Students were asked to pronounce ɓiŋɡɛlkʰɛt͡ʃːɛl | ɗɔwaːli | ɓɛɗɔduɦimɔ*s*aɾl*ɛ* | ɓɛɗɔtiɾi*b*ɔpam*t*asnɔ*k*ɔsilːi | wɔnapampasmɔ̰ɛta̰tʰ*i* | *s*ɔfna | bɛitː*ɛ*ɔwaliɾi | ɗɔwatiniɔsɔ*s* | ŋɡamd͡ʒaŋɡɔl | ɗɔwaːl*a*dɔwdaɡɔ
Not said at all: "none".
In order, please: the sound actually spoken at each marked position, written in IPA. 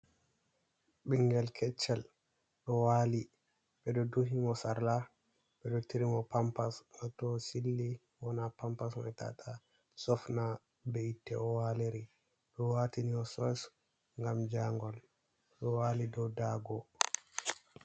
s, a, m, p, t, a, s, ɛ, s, i

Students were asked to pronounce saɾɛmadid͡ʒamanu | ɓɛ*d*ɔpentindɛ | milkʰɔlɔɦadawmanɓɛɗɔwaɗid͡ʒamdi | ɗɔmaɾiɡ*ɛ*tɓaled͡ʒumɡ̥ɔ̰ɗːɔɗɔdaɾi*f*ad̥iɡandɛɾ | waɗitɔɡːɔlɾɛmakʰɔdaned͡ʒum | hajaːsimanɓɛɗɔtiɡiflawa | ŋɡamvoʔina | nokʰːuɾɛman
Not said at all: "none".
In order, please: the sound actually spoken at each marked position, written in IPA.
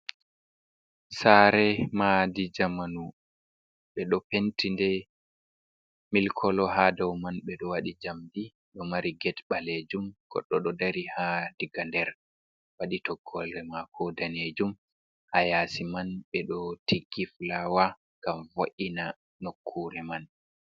ɗ, ɛ, h

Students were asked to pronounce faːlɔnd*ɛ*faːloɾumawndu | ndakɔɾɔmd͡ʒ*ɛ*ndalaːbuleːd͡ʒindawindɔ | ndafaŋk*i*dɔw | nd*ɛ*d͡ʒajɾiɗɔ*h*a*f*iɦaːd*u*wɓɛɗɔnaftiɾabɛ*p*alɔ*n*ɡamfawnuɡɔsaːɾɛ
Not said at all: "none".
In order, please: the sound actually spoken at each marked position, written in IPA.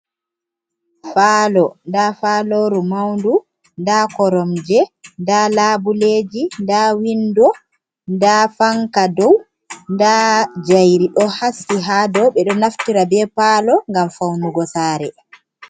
a, ɛ, a, a, h, s, ɔ, p, ŋ

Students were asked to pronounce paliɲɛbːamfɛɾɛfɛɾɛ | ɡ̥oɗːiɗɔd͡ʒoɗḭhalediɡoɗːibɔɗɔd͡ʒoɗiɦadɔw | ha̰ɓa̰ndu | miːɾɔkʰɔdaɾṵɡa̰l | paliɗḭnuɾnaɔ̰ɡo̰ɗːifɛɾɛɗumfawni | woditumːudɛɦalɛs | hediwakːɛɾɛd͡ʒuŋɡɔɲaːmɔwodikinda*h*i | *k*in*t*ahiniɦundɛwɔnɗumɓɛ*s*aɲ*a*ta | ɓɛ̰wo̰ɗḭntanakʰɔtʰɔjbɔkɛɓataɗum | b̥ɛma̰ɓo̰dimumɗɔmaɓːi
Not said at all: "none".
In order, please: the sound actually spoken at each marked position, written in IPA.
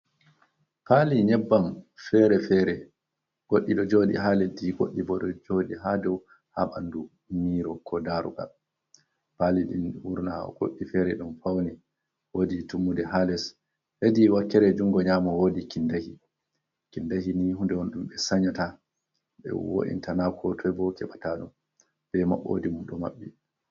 h, k, d, s, a

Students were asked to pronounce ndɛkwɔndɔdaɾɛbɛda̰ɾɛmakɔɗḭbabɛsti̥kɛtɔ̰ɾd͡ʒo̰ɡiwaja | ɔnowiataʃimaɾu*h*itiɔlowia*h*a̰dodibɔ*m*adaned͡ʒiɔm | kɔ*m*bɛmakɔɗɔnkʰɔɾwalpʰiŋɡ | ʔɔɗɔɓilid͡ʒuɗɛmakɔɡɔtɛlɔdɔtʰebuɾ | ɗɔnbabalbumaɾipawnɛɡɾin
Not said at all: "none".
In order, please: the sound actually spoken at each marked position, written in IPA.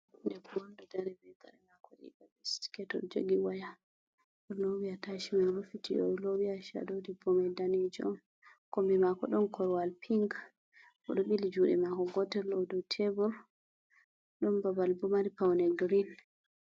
f, ʃ, m, m

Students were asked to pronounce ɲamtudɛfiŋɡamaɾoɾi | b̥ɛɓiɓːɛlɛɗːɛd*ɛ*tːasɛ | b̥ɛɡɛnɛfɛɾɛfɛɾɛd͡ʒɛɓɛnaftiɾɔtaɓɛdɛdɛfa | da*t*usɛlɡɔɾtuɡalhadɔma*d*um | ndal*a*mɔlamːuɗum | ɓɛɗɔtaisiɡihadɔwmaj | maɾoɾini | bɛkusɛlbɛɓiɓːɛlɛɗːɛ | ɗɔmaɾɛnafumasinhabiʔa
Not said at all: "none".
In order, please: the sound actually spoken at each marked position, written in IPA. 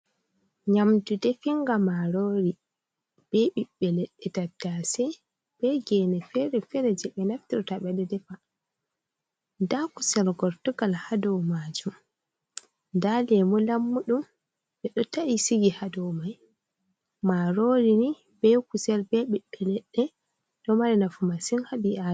a, k, d͡ʒ, ɛ

